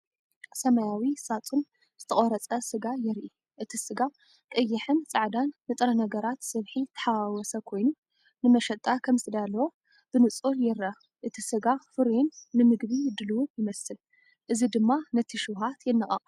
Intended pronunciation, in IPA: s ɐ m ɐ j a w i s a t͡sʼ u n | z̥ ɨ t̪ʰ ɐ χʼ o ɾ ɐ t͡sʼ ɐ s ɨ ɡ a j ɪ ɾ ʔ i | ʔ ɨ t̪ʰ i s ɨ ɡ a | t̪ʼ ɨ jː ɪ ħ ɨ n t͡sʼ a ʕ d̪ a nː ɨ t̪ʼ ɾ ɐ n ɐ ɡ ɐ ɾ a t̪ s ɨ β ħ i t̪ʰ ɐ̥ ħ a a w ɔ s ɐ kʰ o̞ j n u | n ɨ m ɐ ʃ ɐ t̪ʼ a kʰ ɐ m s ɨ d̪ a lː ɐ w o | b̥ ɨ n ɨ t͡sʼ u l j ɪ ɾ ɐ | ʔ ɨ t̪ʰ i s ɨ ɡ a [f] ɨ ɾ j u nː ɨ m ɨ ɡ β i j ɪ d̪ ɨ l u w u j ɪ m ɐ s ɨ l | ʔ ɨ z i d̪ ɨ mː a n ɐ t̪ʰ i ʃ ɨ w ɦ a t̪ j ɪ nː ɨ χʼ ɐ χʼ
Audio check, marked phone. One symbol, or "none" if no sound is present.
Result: f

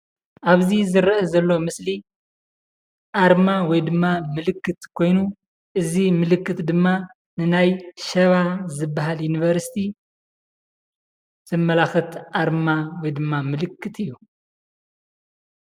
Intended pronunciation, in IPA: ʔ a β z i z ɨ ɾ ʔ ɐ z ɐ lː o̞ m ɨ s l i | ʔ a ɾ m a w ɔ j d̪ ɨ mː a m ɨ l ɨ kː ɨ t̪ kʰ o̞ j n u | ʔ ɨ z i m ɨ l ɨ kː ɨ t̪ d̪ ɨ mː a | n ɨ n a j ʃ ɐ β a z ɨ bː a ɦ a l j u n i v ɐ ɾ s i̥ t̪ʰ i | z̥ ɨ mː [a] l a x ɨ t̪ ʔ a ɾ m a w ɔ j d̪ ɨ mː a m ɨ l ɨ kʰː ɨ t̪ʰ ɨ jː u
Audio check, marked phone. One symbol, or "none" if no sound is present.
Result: ɐ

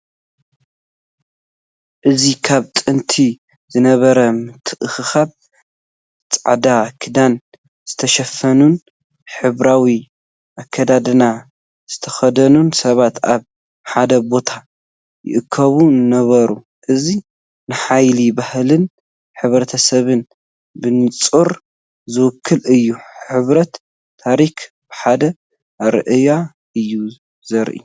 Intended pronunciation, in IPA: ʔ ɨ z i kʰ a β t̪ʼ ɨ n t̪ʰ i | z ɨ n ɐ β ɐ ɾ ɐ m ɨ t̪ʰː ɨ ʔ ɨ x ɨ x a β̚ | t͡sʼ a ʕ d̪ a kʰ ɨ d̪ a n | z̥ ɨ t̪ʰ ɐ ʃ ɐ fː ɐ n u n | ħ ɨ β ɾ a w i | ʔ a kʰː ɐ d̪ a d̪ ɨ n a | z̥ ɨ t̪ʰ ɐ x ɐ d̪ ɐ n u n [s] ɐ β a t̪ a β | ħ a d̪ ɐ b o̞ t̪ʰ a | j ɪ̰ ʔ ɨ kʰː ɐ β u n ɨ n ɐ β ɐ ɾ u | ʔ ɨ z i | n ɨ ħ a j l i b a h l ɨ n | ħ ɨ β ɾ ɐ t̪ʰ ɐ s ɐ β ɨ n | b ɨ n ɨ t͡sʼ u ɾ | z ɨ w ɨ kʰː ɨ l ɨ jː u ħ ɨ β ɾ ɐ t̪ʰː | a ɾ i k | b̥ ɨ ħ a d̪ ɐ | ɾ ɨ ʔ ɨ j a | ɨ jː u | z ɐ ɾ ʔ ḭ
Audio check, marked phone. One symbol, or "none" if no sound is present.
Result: s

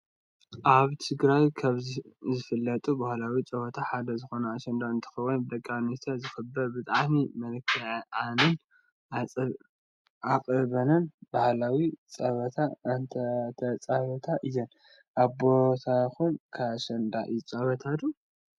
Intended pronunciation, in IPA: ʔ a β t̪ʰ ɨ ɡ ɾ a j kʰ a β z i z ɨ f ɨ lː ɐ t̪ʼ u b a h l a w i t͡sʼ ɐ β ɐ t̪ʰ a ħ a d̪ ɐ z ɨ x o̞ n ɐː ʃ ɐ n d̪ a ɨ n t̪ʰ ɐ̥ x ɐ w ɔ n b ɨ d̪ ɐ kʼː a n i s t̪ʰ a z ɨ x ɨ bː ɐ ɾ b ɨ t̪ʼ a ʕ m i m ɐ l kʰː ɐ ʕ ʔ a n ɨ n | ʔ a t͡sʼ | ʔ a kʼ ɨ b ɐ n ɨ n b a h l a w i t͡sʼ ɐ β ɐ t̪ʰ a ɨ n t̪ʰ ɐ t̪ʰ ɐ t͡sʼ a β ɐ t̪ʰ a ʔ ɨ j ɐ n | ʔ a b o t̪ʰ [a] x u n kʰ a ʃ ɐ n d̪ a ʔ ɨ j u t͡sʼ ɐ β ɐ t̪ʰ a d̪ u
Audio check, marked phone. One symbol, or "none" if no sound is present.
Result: a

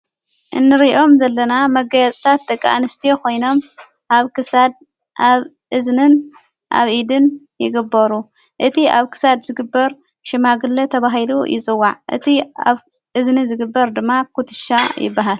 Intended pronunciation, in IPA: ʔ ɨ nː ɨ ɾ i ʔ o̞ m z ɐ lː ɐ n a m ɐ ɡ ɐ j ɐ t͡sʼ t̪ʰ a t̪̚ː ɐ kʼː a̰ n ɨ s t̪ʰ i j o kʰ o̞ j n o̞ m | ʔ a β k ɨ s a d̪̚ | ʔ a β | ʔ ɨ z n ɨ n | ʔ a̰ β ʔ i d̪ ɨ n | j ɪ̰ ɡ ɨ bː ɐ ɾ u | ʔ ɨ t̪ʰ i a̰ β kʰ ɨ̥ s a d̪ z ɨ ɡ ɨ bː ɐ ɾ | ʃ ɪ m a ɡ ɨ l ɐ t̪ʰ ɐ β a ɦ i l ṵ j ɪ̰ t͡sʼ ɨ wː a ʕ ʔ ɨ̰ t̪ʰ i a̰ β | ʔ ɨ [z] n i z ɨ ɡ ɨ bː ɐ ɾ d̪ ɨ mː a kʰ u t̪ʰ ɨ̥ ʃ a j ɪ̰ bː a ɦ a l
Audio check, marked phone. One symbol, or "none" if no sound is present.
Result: z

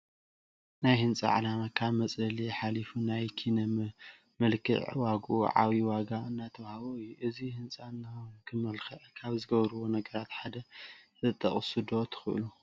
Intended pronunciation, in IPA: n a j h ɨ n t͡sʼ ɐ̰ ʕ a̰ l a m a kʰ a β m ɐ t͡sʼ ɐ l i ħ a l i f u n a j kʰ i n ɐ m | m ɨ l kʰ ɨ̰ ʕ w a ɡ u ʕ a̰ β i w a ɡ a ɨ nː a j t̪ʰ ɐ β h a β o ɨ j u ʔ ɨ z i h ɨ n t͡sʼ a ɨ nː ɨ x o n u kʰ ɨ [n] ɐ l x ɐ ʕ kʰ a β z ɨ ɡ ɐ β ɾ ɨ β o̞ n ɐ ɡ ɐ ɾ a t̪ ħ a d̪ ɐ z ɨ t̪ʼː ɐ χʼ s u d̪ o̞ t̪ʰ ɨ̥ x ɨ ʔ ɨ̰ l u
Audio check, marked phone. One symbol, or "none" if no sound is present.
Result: m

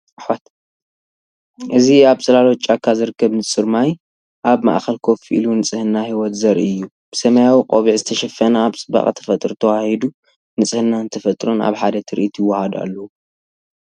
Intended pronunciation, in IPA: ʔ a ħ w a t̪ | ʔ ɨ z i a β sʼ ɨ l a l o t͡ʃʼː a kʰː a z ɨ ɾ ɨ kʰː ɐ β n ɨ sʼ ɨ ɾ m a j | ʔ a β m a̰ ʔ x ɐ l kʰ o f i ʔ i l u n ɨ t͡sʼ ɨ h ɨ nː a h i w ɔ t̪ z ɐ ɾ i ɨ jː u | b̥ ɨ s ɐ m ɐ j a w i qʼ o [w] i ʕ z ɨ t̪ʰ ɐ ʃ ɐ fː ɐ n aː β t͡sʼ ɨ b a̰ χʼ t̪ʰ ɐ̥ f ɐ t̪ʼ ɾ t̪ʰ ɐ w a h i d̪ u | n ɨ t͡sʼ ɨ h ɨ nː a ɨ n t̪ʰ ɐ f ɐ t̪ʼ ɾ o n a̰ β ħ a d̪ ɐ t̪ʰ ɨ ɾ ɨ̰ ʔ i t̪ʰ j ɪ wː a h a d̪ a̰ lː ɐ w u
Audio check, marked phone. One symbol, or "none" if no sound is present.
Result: β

